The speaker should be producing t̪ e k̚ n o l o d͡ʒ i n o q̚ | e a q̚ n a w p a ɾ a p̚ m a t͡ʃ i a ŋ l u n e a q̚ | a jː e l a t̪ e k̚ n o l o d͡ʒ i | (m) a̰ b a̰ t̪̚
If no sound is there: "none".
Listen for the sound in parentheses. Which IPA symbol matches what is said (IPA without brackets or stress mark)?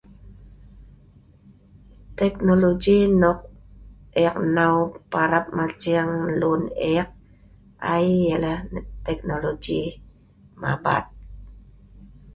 m